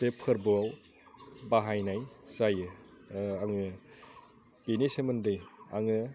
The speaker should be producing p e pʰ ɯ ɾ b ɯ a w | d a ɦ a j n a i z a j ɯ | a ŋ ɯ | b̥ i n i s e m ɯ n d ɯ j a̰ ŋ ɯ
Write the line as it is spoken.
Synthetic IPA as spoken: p e pʰ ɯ ɾ b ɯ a w | b a ɦ a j n a j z a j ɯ | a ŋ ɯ | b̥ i n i s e m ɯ n d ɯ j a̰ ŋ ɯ